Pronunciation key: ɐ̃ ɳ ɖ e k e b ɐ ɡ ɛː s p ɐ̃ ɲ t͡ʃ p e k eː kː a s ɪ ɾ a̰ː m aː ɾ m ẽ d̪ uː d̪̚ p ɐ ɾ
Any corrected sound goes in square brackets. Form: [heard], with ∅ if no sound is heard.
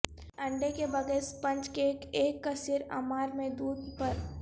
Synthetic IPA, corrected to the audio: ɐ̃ ɳ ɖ e k e b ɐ ɡ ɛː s p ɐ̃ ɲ t͡ʃ [k] e k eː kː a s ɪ ɾ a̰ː m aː ɾ m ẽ d̪ uː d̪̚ p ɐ ɾ

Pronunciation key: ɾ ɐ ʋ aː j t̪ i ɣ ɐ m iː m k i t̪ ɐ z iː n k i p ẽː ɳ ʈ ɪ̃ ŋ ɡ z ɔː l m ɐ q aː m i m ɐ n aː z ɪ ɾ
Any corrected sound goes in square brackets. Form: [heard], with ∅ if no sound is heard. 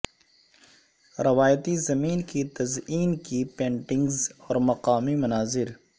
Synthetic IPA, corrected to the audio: ɾ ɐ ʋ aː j t̪ i [z] ɐ m iː [n] k i t̪ ɐ z iː n k i p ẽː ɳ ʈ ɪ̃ ŋ ɡ z ɔː [ɾ] m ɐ q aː m i m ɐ n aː z ɪ ɾ

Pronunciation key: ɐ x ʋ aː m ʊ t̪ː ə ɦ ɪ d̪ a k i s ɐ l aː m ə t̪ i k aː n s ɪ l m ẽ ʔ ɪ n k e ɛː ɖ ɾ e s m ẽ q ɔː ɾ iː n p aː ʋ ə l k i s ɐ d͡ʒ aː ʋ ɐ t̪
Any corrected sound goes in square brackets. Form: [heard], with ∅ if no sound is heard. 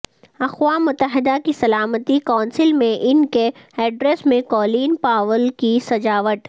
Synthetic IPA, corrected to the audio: ɐ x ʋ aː m ʊ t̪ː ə ɦ ɪ d̪ a k i s ɐ l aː m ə t̪ i k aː n s ɪ l m ẽ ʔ ɪ n k e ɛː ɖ ɾ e s m ẽ [k] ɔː [l] iː n p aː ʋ ə l k i s ɐ d͡ʒ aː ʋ [ə] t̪

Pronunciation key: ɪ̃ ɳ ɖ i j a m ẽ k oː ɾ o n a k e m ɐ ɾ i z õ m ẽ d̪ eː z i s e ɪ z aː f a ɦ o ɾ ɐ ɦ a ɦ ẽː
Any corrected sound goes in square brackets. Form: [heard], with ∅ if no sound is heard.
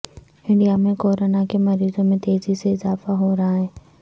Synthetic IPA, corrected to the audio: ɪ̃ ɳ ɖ i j a m ẽ k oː ɾ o n a k e m ɐ ɾ [iː] z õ m ẽ [t̪] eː z i s e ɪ z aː f a ɦ o ɾ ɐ ɦ a ɦ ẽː

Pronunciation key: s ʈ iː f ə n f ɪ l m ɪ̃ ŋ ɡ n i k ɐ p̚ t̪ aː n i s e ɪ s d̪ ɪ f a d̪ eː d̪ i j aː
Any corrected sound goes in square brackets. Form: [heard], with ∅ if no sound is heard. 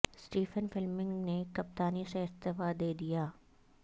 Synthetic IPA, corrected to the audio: s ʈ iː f ə n f ɪ l m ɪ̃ ŋ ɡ n [e] k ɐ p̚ t̪ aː n i s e ɪ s [t̪] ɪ f a d̪ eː d̪ i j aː

